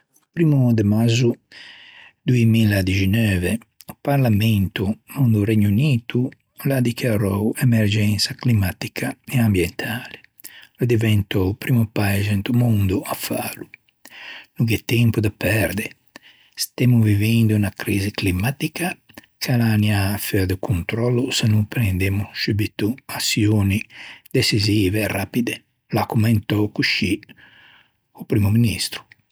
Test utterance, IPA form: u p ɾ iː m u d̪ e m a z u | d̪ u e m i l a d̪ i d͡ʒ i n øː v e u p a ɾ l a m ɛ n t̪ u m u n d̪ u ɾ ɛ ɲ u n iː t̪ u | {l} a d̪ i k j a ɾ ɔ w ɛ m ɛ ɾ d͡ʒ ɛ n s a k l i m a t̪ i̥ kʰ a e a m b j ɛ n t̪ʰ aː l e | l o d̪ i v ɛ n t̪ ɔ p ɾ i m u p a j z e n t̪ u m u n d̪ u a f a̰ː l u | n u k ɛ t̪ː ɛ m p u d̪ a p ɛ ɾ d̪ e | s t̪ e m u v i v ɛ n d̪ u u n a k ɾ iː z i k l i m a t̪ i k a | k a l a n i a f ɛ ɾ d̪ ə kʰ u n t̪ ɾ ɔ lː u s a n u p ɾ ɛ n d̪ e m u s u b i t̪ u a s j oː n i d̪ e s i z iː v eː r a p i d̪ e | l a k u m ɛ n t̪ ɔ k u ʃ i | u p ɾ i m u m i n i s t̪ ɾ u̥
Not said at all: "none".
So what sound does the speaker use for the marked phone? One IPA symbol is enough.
l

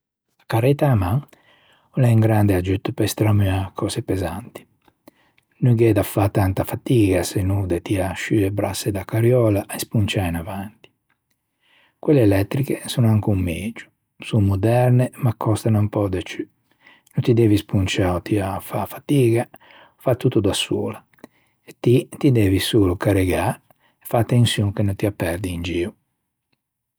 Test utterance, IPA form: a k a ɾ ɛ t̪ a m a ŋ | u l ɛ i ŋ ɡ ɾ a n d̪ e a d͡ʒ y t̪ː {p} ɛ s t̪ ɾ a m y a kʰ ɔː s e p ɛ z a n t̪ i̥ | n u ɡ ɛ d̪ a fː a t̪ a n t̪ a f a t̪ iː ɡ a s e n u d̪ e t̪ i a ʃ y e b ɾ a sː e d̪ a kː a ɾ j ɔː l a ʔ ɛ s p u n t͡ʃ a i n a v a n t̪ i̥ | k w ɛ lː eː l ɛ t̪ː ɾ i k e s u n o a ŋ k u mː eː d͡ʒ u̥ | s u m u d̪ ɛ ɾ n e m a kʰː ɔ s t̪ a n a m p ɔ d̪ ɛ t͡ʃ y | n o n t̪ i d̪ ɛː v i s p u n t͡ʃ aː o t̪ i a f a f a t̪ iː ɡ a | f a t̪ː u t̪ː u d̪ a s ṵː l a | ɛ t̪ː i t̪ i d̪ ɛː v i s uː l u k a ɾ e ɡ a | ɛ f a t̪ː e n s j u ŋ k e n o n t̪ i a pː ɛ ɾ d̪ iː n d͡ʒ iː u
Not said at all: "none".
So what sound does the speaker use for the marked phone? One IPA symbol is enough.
p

